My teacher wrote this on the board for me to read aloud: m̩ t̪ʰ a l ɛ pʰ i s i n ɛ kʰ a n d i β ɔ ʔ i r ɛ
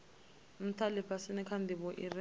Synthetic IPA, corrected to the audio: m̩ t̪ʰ a l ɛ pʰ a s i n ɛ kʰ a n d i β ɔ ʔ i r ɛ